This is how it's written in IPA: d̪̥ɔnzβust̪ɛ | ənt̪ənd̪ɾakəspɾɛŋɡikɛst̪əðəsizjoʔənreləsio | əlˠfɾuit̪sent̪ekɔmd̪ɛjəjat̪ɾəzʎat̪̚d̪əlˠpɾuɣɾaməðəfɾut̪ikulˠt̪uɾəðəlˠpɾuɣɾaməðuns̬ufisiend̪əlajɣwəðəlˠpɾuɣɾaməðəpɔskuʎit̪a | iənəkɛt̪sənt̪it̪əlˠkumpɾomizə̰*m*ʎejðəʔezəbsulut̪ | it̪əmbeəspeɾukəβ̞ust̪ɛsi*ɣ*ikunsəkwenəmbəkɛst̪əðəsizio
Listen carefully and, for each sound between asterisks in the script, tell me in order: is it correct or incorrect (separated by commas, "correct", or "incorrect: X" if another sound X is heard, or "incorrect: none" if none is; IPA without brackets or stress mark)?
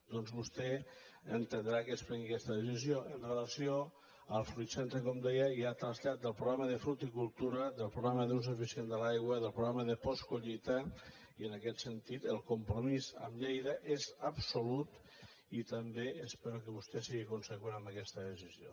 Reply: correct, correct